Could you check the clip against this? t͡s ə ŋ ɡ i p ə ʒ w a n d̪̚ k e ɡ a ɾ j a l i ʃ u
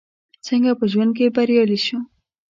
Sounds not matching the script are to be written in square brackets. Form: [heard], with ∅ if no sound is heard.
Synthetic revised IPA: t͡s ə ŋ ɡ [a] p ə ʒ w a n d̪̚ k e [b] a ɾ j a l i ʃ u